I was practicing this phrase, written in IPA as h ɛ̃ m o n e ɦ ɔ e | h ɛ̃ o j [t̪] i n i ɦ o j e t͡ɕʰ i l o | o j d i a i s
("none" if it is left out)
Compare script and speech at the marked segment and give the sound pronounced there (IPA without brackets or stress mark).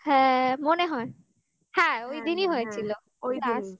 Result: d̪